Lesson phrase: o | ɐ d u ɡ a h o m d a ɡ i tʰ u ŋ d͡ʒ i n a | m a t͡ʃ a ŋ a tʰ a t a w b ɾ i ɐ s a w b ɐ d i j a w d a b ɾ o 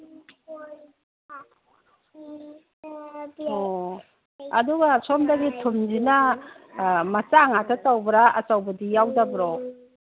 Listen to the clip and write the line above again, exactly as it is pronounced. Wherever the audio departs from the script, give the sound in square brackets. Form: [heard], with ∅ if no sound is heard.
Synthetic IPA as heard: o | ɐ d u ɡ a [s] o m d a ɡ i tʰ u [m] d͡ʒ i n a | m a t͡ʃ a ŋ a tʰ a t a w b ɾ [a] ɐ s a w b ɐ d i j a w d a b ɾ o